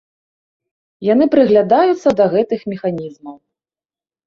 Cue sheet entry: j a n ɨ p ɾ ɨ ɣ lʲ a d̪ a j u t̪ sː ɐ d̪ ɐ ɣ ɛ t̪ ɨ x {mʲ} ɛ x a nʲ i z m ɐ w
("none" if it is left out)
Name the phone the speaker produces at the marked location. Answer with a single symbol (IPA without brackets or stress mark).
mʲ